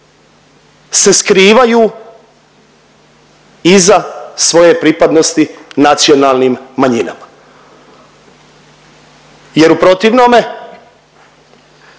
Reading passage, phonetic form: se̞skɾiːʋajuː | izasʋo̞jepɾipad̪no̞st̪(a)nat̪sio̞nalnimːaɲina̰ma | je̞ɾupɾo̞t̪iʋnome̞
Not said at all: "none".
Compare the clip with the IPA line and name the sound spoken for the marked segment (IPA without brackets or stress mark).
i